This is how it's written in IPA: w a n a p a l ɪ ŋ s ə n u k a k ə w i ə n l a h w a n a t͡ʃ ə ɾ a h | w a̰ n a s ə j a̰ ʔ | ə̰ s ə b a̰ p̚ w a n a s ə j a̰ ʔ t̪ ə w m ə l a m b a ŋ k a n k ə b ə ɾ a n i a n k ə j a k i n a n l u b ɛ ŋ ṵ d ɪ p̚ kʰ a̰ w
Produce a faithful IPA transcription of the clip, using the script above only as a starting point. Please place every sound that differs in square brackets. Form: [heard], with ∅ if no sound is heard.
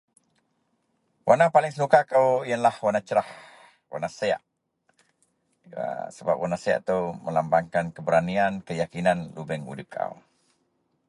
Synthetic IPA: w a n a p a l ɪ ŋ s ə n u k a k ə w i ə n l a h w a n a t͡ʃ ə ɾ a h | w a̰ n a s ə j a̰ ʔ | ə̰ s ə b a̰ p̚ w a n a s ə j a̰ ʔ t̪ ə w m ə l a m b a ŋ k a n k ə b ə ɾ a n i a n k ə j a k i n a n l u b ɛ ŋ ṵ d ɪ p̚ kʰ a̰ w